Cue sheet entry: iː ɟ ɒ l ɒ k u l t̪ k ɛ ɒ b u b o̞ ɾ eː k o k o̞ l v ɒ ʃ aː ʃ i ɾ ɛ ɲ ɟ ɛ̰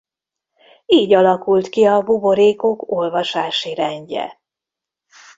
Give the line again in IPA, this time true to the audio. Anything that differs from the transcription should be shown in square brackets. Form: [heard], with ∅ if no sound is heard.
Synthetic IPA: iː ɟ ɒ l ɒ k u l t̪ k [i] ɒ b u b o̞ ɾ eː k o k o̞ l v ɒ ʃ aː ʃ i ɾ ɛ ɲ ɟ ɛ̰